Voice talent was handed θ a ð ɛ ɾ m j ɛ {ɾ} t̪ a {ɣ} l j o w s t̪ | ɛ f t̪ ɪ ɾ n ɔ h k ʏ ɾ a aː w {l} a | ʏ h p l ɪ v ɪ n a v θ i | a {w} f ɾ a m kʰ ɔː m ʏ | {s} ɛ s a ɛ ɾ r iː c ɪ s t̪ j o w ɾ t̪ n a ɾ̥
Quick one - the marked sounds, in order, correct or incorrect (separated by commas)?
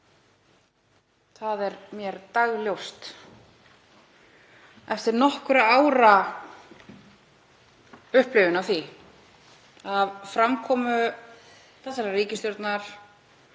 correct, correct, incorrect, incorrect, incorrect